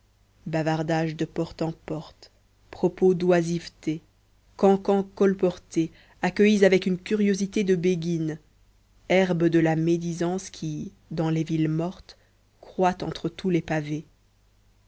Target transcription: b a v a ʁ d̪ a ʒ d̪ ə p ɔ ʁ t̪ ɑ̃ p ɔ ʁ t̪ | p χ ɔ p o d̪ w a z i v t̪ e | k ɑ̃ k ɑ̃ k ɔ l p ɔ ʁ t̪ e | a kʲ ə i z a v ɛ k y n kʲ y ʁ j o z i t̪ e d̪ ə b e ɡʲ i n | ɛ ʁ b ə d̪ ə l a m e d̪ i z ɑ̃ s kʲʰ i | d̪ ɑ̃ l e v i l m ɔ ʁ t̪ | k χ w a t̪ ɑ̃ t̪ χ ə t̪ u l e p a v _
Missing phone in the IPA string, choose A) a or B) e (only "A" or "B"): B